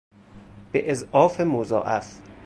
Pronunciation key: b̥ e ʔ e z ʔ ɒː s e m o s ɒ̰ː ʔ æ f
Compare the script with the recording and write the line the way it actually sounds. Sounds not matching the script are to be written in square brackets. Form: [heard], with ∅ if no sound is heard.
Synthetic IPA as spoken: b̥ e ʔ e z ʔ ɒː [f] e m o [z] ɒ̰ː ʔ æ f